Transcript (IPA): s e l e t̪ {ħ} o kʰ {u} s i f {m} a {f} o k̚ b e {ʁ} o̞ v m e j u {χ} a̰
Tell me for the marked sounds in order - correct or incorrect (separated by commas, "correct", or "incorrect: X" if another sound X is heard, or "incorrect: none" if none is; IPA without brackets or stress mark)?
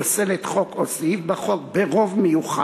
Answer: incorrect: χ, incorrect: o, incorrect: b, incorrect: χ, correct, correct